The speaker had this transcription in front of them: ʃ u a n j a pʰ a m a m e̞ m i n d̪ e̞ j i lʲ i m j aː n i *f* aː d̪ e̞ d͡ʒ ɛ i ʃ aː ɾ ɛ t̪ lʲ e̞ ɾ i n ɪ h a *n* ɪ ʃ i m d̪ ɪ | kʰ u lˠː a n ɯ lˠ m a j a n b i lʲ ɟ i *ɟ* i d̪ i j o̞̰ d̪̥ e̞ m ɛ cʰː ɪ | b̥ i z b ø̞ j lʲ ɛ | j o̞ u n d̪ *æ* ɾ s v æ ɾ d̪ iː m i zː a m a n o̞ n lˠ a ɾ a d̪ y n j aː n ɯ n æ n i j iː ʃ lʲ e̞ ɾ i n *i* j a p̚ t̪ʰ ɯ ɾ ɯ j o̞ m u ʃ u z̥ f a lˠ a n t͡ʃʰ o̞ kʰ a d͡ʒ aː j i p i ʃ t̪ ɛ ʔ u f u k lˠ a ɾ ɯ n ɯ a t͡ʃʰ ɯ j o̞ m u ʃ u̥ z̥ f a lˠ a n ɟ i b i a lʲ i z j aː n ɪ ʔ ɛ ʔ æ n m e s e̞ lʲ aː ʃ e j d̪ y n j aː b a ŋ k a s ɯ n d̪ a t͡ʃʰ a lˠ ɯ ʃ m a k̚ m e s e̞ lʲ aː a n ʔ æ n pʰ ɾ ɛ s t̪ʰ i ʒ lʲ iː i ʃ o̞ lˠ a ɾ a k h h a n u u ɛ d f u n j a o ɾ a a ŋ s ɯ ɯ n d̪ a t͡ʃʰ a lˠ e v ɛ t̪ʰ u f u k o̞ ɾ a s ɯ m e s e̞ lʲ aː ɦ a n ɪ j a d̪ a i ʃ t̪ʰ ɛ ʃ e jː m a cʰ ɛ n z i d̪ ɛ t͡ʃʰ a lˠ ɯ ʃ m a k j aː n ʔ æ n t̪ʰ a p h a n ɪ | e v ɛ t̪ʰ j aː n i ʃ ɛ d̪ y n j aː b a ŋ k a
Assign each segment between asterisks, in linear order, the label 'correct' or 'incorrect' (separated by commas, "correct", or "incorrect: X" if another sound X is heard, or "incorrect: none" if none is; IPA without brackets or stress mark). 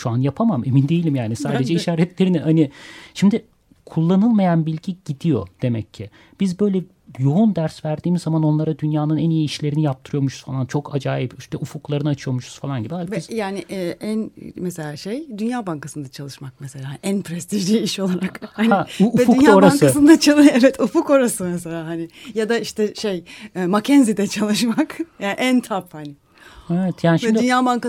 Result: incorrect: s, correct, correct, correct, correct